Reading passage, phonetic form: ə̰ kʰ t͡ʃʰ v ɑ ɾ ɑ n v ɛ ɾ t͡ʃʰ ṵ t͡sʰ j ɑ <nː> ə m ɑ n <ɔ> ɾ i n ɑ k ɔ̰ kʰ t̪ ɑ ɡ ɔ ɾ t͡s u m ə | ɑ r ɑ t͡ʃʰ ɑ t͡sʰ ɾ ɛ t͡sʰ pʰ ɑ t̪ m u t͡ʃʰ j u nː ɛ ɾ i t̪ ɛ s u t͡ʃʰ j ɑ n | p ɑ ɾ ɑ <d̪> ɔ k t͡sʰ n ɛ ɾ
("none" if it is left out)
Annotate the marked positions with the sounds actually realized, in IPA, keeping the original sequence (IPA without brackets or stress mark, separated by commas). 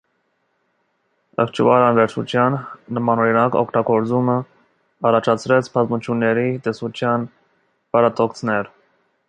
nː, ɔ, t̪